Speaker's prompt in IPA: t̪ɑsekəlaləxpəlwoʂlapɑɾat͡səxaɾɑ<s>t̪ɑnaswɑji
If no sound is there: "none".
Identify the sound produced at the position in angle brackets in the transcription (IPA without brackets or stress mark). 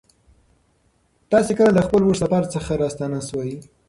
s